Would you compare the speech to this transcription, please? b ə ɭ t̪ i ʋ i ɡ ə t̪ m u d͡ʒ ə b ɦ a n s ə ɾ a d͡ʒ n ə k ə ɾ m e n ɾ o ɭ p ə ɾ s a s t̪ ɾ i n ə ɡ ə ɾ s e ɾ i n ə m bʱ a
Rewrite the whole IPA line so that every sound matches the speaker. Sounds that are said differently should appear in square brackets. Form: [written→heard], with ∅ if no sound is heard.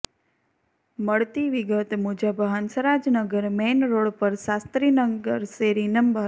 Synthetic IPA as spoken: [b→m] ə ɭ t̪ i ʋ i ɡ ə t̪ m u d͡ʒ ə b ɦ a n s ə ɾ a d͡ʒ n ə [k→ɡ] ə ɾ m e n ɾ o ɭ p ə ɾ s a s t̪ ɾ i n ə ɡ ə ɾ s e ɾ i n ə m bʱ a